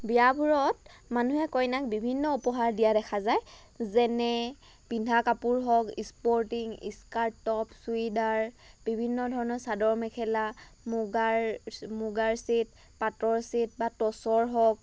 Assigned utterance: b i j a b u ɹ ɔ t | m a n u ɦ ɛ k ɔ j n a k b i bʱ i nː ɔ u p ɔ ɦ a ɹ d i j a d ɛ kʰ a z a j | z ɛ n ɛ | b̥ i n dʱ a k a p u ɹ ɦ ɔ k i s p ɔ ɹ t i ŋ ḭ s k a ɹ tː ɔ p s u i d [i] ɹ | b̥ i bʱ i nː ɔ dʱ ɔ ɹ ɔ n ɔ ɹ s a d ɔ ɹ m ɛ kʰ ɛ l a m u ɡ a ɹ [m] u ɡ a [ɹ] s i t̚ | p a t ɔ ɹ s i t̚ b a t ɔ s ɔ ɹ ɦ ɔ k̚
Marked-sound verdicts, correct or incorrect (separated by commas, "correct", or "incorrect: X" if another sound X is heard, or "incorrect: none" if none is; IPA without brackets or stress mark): incorrect: a, correct, correct